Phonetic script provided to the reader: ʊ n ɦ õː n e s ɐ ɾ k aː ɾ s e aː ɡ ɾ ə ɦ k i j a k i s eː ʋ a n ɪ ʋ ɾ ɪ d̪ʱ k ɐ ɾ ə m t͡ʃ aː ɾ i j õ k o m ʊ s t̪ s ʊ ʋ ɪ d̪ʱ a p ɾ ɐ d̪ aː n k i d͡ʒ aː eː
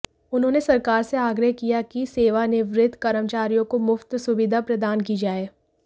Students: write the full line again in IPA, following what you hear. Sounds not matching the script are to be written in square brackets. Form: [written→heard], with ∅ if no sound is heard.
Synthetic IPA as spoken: ʊ n ɦ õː n e s ɐ ɾ k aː ɾ s e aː ɡ ɾ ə ɦ k i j a k i s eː ʋ a n ɪ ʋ ɾ ɪ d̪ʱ k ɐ ɾ ə m t͡ʃ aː ɾ i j õ k o m ʊ [s→f] t̪ s ʊ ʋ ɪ d̪ʱ a p ɾ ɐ d̪ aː n k i d͡ʒ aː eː